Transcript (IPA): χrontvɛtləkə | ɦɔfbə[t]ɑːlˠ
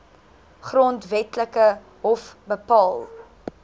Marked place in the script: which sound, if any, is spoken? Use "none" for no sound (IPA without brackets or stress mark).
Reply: p